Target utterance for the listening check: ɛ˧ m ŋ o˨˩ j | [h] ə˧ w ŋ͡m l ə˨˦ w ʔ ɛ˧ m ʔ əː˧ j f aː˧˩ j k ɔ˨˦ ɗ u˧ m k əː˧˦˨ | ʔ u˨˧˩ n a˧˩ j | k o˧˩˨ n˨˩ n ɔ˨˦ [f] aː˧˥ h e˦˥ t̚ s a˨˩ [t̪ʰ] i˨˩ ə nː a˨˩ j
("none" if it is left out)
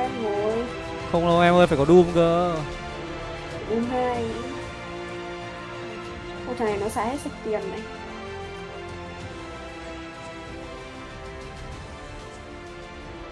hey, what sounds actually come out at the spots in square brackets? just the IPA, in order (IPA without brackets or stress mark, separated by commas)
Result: x, s, t̪